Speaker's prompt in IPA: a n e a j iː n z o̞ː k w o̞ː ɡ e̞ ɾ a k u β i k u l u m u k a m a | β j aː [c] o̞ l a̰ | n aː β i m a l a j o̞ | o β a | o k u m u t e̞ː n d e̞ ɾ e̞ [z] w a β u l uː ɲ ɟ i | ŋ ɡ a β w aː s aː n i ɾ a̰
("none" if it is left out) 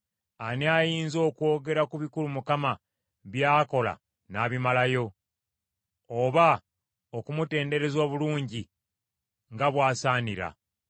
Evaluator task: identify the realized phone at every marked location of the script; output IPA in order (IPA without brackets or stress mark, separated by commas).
k, z